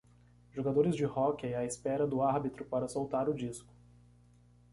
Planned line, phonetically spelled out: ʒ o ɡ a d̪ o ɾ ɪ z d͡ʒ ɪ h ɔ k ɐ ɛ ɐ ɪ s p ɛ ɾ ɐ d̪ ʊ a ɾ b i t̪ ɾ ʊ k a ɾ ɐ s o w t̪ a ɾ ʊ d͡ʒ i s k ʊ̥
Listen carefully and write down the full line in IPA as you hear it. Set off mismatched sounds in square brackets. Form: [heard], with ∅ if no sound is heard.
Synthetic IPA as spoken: ʒ o ɡ a d̪ o ɾ ɪ z d͡ʒ ɪ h ɔ k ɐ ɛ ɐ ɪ s p ɛ ɾ ɐ d̪ ʊ a ɾ b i t̪ ɾ ʊ [p] a ɾ ɐ s o w t̪ a ɾ ʊ d͡ʒ i s k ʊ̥